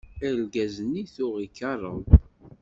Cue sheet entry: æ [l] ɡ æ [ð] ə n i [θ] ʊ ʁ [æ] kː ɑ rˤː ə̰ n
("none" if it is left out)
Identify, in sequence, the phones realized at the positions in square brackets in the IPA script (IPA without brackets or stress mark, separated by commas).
l, z, θ, i